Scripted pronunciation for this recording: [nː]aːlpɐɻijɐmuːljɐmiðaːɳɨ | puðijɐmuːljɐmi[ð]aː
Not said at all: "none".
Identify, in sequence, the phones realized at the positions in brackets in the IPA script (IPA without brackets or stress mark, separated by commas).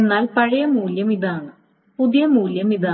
nː, ð